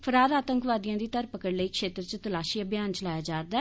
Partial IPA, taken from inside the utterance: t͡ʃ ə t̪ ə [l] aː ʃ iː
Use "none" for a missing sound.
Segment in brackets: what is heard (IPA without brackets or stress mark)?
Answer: l